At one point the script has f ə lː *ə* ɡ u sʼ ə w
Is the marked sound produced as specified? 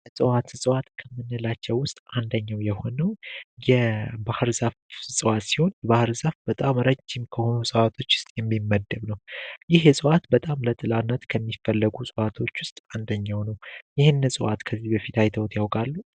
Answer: yes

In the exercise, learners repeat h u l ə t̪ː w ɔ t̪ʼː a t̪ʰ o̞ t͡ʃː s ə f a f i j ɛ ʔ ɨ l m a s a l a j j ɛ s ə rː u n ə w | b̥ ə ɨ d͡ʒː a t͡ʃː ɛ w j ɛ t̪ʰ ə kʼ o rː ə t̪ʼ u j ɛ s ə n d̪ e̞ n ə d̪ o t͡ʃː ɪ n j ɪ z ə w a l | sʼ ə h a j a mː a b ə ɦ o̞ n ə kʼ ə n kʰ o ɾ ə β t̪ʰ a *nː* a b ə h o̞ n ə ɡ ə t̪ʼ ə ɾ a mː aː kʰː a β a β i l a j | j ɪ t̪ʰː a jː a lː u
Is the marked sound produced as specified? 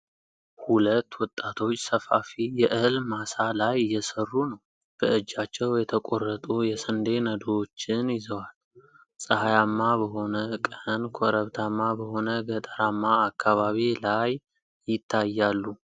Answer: no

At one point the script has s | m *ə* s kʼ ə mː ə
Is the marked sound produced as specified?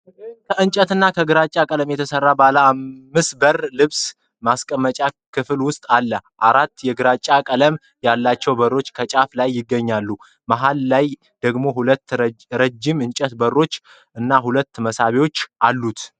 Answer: no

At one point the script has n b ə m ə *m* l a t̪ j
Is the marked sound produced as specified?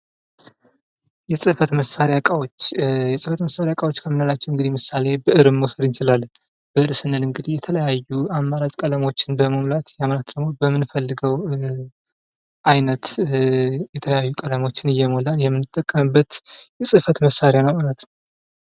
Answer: yes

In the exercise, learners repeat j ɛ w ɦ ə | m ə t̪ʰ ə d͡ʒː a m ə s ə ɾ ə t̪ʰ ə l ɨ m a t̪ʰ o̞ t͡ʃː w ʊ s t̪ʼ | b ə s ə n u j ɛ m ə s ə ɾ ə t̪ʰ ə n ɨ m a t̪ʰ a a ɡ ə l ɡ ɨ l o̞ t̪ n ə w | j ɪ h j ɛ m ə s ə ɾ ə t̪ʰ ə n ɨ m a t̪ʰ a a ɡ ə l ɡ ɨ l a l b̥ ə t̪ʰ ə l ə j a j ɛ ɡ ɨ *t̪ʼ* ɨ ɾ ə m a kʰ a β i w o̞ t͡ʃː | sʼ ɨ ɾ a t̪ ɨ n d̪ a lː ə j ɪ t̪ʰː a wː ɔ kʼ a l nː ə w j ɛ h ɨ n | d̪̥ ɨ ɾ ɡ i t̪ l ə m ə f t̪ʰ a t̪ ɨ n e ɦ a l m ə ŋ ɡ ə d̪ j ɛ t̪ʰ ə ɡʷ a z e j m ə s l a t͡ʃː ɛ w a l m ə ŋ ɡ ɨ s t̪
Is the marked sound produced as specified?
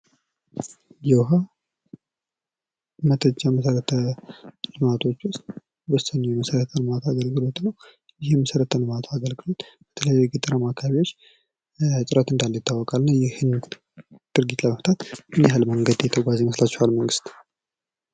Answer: yes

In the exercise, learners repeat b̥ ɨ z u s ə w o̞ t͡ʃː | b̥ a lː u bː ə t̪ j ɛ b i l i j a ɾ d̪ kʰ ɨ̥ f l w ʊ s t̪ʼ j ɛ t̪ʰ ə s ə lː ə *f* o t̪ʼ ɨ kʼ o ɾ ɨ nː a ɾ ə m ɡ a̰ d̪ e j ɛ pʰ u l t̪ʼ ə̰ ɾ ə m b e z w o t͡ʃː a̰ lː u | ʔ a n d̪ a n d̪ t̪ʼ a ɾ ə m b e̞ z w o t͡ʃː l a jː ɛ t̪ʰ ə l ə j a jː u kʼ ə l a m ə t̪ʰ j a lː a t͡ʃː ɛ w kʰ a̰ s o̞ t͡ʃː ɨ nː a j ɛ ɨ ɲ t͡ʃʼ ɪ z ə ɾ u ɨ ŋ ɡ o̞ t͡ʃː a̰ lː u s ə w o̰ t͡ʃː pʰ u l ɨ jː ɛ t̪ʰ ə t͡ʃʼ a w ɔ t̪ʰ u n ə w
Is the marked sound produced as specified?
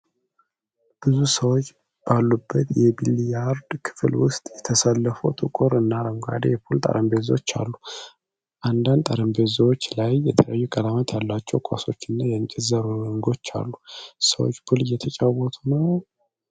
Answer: yes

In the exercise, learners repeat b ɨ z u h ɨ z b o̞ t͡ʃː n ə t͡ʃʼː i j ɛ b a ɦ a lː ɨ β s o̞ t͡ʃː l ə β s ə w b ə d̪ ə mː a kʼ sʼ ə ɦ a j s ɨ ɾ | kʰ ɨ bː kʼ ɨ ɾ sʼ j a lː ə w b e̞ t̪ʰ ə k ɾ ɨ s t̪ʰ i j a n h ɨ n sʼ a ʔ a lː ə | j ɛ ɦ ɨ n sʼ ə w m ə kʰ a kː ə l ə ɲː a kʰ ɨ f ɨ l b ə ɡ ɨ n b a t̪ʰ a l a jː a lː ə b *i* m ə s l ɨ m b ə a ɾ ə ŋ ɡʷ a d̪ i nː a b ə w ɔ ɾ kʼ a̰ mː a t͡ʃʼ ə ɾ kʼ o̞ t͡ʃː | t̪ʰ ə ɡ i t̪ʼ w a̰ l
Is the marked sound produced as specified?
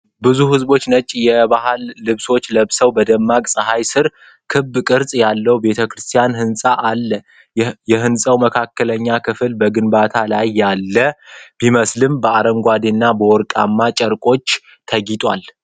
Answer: yes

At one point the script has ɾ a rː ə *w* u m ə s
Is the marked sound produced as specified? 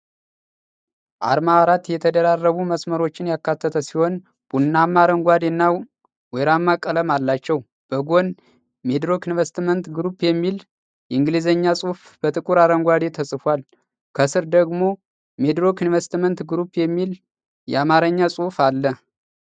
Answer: no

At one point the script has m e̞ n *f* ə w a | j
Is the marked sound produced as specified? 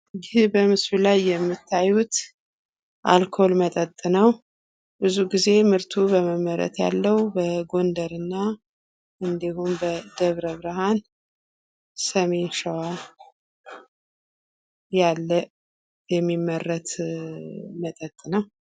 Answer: no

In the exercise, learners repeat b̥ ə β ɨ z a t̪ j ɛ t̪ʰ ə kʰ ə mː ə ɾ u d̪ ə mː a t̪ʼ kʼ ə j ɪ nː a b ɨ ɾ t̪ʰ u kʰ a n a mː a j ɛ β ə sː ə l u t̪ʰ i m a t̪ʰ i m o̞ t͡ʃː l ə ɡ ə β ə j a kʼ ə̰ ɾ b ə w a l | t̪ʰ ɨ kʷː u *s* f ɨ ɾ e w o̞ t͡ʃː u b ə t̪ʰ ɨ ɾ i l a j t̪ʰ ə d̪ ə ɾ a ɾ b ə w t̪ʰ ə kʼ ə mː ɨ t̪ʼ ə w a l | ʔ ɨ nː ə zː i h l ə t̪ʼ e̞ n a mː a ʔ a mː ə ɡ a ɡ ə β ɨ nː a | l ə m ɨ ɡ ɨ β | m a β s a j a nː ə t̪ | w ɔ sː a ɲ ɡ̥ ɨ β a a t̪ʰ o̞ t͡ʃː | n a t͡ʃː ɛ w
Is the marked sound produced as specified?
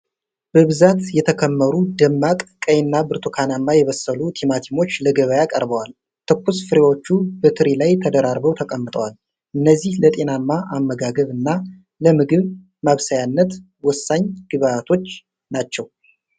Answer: yes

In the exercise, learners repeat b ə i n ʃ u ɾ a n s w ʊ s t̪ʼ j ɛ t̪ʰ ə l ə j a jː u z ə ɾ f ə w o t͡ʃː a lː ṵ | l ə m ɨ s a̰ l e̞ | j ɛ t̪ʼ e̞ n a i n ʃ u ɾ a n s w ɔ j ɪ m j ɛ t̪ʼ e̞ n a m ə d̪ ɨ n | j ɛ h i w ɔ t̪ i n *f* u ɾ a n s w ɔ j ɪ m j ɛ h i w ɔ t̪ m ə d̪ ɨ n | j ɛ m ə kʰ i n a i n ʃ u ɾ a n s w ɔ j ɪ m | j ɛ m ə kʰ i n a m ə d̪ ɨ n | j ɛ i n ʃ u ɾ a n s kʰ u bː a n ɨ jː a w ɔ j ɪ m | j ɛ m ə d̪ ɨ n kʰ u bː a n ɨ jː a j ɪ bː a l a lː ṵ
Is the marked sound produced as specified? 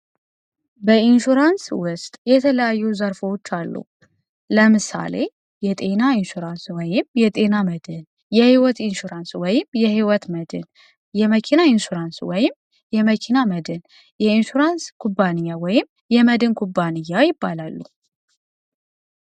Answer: no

